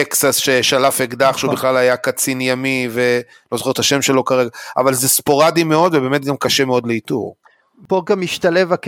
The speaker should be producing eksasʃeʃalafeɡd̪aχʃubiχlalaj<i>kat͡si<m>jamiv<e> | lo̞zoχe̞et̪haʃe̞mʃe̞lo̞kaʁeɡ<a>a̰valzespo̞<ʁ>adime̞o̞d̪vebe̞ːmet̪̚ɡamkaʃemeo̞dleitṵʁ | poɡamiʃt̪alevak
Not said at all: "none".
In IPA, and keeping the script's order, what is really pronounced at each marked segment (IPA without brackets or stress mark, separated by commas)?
a, n, e, a, ʁ